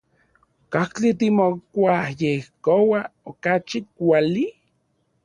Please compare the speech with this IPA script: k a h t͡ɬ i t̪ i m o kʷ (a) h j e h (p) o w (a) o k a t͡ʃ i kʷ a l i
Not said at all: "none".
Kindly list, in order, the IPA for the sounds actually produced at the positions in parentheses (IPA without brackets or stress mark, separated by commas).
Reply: a, k, a